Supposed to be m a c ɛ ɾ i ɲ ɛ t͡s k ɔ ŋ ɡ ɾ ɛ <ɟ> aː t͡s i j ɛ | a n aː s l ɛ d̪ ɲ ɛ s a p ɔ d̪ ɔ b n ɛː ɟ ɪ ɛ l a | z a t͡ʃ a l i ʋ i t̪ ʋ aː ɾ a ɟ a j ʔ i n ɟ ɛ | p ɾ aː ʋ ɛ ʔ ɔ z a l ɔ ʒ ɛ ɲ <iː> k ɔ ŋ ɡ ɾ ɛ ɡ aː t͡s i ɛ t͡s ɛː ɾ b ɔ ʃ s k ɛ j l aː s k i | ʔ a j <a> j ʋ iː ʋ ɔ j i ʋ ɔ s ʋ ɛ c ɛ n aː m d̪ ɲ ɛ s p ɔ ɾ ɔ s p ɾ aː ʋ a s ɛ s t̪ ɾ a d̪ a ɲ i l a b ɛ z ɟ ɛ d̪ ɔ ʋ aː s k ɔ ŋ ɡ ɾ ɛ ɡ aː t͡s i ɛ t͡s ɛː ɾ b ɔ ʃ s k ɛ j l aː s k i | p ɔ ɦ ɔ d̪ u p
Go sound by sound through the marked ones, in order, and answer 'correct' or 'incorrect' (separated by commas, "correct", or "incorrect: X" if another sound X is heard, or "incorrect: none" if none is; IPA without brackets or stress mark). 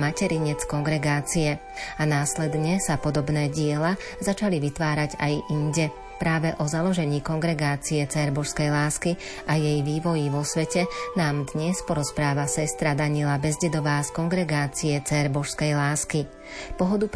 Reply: incorrect: ɡ, correct, incorrect: ɛ